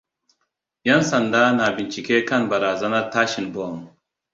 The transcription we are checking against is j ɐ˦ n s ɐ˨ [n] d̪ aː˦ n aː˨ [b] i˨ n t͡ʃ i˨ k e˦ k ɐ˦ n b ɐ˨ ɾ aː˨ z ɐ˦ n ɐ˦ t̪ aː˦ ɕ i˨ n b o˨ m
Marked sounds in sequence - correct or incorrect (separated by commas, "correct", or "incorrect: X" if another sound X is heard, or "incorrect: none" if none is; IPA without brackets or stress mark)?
correct, correct